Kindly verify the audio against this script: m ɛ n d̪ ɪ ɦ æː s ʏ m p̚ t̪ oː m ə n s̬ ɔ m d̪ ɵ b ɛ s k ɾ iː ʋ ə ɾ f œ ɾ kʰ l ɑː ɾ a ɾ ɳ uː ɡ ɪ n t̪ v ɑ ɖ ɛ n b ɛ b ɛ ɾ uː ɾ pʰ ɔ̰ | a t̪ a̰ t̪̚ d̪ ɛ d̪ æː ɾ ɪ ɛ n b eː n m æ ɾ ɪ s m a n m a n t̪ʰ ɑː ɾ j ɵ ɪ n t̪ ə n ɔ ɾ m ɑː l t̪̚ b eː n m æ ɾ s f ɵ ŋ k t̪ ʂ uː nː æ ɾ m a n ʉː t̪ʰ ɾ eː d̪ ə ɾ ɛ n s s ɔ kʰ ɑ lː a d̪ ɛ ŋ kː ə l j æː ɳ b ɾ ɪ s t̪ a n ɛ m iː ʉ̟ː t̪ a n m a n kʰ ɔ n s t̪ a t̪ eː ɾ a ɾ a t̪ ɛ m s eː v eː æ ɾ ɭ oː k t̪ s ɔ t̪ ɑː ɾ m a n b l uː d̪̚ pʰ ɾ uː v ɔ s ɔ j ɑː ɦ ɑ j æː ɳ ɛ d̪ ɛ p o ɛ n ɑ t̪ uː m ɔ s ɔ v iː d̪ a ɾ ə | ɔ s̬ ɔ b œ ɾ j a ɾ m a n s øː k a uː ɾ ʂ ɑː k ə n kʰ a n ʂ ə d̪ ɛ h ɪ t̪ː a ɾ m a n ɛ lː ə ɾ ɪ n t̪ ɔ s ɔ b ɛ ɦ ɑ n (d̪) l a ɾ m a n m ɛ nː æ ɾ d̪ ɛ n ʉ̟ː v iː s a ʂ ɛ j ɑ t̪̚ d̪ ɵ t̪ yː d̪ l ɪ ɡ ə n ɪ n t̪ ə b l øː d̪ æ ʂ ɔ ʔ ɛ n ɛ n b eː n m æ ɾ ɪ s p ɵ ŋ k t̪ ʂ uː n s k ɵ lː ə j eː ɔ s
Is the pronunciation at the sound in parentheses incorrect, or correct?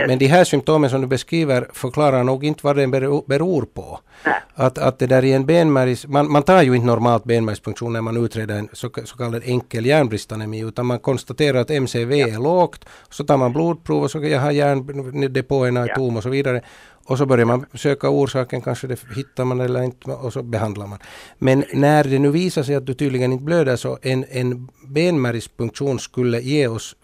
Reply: correct